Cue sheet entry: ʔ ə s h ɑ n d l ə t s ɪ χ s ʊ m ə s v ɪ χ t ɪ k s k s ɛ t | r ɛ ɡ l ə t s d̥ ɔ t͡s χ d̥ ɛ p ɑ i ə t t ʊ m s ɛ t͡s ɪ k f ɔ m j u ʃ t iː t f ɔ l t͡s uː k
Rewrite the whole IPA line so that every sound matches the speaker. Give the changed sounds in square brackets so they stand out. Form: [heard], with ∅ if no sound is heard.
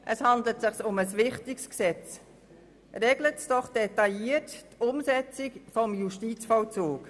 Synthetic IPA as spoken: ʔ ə s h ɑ n d l ə t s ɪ χ s ʊ m ə s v ɪ χ t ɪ k s k s ɛ [t͡s] | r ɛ ɡ l ə t s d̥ ɔ [∅] χ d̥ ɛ [t] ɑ i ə t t ʊ m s ɛ t͡s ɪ k f ɔ m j u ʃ t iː [t͡s] f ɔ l t͡s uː k